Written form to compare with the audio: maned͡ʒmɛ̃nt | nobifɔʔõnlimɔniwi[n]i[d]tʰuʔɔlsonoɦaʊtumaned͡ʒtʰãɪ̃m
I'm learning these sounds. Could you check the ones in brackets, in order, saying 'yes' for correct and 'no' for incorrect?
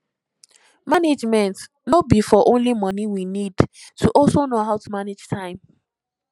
yes, yes

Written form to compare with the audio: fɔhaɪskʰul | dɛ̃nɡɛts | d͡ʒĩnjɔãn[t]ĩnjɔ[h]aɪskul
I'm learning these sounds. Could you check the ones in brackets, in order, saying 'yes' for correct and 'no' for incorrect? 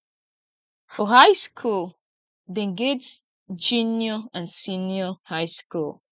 no, yes

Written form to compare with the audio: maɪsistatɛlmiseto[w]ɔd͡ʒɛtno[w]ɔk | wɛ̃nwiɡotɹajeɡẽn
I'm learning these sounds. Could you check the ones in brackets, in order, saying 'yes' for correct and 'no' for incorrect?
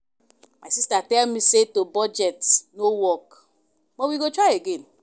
no, yes

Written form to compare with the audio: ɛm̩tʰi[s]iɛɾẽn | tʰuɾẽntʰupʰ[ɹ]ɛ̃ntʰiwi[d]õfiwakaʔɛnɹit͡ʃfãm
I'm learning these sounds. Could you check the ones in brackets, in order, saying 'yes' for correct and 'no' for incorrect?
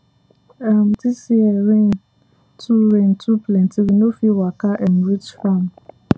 yes, no, no

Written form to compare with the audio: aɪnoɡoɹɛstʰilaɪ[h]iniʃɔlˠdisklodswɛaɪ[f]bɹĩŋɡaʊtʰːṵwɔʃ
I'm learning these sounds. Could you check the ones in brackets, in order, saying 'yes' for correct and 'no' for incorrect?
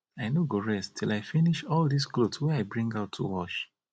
no, no

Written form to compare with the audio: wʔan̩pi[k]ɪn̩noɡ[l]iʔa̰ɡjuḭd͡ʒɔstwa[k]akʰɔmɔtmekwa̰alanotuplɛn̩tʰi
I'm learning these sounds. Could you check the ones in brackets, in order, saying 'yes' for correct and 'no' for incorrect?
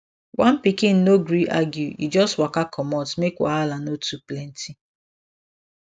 yes, no, yes

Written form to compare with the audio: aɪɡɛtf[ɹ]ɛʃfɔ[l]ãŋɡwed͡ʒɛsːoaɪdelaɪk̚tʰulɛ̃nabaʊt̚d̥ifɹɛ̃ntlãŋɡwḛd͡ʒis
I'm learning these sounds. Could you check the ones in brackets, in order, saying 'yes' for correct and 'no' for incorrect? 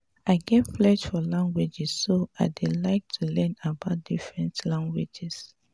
no, yes

